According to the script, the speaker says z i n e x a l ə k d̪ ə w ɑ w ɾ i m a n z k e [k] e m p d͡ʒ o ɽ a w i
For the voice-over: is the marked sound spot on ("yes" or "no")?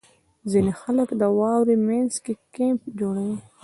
yes